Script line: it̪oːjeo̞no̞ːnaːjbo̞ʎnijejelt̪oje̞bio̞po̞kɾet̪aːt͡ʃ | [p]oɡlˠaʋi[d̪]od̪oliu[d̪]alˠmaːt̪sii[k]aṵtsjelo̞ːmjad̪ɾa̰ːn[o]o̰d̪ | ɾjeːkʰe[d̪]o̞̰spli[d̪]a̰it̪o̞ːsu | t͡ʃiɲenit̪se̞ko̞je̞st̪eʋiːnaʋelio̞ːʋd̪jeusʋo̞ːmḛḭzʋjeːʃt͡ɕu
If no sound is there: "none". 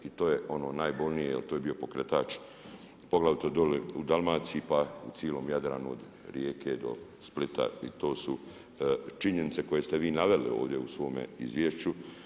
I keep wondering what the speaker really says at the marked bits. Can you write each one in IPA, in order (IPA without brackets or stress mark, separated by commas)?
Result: p, t̪, d̪, p, u, d̪, t̪